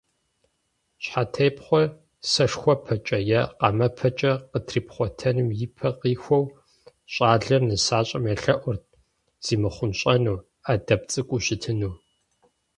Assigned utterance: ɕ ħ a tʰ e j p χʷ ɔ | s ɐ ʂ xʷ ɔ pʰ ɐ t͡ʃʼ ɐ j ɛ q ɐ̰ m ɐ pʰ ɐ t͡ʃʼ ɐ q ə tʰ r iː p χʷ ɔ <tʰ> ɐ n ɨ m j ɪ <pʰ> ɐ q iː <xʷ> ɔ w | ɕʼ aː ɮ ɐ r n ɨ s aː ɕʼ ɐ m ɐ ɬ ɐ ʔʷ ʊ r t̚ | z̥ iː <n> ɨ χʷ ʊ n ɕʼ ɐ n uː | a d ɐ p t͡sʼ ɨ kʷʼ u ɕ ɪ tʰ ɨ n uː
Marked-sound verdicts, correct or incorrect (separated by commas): correct, correct, correct, incorrect